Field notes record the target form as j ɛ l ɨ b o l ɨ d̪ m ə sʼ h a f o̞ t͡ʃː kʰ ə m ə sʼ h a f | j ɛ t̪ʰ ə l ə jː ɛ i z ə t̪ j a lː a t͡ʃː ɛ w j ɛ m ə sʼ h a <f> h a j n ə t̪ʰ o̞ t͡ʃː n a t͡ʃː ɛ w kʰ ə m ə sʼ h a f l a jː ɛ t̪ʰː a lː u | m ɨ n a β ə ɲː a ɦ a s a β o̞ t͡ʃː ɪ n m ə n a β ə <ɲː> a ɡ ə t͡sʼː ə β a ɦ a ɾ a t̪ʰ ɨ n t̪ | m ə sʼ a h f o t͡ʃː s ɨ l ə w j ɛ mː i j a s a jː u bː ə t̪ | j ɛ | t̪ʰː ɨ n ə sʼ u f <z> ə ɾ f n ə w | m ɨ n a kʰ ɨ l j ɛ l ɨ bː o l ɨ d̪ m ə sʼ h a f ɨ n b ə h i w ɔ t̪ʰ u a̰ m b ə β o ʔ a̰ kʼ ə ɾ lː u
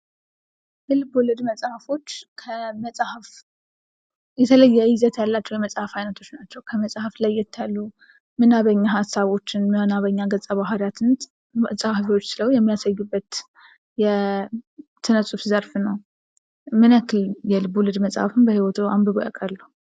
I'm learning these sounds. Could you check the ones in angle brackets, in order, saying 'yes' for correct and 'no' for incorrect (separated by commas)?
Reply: yes, yes, yes